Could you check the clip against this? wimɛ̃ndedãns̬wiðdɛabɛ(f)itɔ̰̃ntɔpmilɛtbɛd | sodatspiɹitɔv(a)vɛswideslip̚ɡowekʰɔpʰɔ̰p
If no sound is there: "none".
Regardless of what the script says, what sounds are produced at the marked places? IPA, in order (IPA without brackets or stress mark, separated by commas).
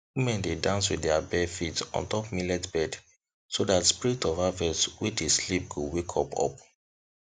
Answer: f, a